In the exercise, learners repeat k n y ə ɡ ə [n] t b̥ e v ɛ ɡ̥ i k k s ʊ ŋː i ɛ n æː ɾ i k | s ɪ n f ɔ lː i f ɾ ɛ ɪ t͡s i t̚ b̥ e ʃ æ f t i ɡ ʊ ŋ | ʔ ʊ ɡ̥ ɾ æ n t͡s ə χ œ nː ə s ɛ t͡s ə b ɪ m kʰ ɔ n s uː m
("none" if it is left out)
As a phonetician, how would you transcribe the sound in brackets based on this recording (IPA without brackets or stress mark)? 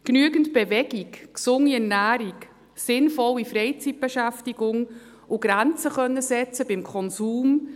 n